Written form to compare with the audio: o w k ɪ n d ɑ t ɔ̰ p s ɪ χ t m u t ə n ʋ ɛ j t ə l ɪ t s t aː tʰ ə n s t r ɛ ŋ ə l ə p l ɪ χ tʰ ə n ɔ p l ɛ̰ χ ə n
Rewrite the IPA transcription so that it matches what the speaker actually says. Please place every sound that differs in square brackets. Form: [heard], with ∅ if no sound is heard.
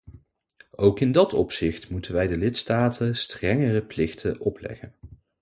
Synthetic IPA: o w k ɪ n d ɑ t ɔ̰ p s ɪ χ t m u t ə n ʋ ɛ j [d] ə l ɪ t s t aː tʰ ə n s t r ɛ ŋ ə [r] ə p l ɪ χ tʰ ə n ɔ p l ɛ̰ χ ə n